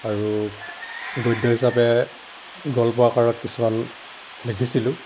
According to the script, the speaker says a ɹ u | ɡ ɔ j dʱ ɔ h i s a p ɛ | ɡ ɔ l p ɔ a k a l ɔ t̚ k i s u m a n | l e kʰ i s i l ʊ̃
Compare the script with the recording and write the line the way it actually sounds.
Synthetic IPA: a ɹ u | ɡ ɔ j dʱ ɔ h i s a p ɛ | ɡ ɔ l p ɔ a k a ɹ ɔ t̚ k i s u m a n | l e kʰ i s i l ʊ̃